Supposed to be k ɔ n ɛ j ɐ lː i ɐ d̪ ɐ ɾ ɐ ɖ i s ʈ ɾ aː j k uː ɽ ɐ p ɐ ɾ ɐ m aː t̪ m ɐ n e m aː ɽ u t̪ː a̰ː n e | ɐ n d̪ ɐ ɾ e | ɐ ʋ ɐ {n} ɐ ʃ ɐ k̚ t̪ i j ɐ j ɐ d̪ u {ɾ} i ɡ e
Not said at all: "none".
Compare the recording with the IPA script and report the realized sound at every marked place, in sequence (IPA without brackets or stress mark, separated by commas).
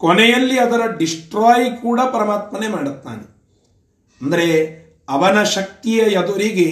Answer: n, ɾ